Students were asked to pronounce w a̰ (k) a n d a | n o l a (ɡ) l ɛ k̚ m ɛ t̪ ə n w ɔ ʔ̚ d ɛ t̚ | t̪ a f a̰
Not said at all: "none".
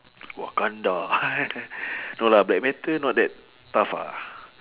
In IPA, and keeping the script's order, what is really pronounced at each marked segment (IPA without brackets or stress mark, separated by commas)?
k, b